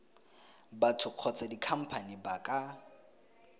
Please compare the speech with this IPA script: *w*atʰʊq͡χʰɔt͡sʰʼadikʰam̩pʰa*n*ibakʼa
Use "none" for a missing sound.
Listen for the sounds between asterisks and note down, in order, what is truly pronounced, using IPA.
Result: b, n

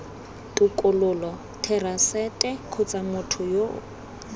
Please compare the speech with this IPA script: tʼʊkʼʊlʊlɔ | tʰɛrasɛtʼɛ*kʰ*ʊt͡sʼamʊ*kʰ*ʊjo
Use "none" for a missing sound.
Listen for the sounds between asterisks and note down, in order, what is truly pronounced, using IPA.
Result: kʰ, tʰ

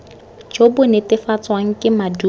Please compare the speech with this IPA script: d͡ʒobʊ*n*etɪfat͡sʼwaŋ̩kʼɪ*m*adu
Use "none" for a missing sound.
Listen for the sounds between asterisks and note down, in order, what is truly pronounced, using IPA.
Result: n, m

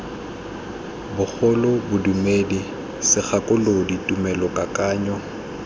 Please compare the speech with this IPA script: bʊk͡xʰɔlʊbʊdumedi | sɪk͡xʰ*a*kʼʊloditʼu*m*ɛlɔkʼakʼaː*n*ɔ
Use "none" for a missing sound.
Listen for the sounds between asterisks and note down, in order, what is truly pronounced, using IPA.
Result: a, m, ɲ

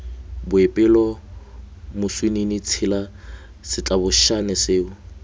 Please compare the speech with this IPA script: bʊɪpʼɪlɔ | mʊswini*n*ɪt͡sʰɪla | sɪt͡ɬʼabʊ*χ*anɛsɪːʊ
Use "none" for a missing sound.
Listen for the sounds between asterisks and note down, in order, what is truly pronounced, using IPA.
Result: n, ʃ

